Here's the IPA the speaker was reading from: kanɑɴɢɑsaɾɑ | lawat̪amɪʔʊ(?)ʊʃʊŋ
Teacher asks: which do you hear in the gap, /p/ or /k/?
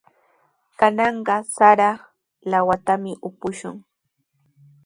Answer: p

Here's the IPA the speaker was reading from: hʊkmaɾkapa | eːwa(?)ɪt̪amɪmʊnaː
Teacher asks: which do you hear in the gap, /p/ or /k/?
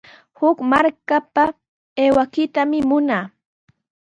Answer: k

